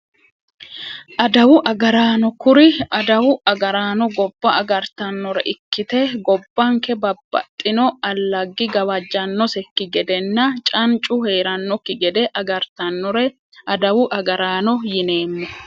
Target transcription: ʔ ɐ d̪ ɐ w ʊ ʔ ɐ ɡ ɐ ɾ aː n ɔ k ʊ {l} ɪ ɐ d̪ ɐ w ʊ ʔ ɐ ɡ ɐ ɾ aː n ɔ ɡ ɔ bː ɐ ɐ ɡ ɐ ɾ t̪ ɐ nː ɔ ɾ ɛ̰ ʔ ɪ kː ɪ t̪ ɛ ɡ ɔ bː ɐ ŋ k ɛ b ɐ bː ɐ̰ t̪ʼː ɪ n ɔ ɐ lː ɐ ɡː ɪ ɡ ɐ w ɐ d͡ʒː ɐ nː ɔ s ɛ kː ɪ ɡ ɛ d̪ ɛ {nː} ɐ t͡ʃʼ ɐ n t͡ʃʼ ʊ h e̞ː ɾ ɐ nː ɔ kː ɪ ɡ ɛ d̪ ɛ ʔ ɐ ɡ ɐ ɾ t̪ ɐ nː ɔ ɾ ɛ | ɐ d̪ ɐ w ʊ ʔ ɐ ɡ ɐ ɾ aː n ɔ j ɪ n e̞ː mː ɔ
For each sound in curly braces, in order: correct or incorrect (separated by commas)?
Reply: incorrect, correct